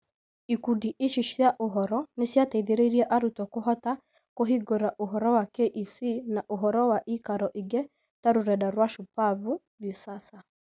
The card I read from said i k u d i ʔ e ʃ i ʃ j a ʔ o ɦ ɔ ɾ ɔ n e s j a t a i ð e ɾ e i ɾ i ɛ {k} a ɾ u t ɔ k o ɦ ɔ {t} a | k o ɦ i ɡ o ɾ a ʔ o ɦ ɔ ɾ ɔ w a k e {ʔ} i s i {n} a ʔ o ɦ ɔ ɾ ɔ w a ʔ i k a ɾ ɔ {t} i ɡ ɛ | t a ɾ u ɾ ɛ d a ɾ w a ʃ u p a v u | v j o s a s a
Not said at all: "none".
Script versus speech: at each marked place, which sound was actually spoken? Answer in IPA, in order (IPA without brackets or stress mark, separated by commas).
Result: ʔ, t, ʔ, n, ʔ